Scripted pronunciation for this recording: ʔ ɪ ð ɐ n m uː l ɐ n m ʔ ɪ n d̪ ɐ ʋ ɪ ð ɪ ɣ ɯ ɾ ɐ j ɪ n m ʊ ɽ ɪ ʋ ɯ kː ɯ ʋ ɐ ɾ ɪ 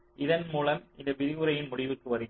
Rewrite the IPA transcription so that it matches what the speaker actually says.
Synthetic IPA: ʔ ɪ ð ɐ n m uː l ɐ m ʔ ɪ n d̪ ɐ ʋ ɪ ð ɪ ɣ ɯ ɾ ɐ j ɪ n m ʊ ɽ ɪ ʋ ɯ kː ɯ ʋ ɐ ɾ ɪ